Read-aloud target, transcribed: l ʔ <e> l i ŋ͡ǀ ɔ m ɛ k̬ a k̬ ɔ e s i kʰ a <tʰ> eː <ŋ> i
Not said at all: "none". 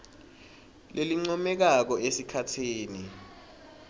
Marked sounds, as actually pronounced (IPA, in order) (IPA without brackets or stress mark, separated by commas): e, tʰ, n